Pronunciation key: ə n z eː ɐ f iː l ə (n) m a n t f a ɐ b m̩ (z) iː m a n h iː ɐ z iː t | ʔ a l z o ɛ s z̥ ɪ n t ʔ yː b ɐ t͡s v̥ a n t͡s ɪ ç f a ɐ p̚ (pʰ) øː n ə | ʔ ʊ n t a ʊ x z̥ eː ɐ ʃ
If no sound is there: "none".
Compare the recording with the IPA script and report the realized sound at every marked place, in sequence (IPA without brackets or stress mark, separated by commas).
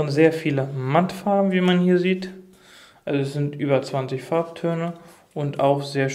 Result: none, v, tʰ